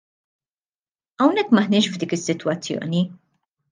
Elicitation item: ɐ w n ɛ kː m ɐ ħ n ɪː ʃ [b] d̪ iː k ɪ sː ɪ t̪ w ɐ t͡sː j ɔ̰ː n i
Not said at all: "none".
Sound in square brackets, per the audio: v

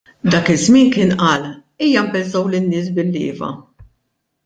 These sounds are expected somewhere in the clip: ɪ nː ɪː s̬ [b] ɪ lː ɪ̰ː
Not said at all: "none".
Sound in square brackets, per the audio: b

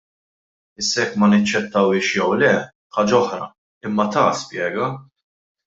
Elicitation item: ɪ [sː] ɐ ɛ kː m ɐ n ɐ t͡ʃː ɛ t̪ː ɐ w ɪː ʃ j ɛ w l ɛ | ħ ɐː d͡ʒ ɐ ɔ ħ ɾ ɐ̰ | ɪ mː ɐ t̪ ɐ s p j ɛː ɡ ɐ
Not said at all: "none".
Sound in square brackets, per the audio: sː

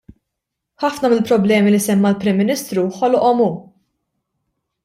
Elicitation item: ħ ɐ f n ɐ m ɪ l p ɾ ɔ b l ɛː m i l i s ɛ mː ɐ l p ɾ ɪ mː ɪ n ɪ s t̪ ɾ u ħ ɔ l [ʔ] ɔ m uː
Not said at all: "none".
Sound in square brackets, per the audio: ʔ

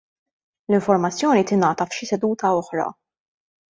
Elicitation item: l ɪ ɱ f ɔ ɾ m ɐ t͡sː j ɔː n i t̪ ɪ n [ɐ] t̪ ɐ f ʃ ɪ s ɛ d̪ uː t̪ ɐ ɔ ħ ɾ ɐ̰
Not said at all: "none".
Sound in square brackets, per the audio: ɐː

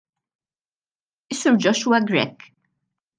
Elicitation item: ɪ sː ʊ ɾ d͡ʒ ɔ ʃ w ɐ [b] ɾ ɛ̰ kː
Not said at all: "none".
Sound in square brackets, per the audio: ɡ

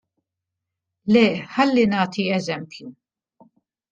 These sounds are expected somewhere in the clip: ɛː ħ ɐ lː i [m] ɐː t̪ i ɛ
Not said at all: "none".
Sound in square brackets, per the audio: n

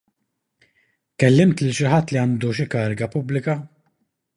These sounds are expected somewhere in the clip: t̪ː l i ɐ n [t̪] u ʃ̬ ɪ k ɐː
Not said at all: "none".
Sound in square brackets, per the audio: d̪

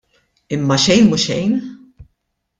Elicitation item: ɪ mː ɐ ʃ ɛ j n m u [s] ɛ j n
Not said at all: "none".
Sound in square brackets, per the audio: ʃ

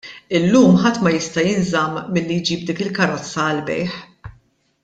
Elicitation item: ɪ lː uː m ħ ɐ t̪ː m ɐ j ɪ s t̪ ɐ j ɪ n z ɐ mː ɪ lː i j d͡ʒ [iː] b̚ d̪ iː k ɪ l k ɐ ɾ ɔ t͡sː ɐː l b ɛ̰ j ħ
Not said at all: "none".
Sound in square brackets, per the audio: iː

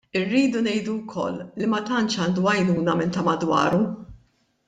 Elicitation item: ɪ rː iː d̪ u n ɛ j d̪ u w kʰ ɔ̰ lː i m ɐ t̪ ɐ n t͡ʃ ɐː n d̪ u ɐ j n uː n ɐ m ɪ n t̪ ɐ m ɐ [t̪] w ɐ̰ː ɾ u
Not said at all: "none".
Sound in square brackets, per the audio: d̪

